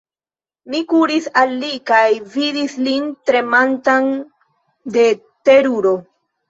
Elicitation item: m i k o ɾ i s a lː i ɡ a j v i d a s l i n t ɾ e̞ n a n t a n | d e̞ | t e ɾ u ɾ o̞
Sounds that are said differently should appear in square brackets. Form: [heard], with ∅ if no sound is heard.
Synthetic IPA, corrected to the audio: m i k [u] ɾ i s a lː i [k] a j v i d [i] s l i n t ɾ e̞ [m] a n t a n | d e̞ | t e ɾ u ɾ o̞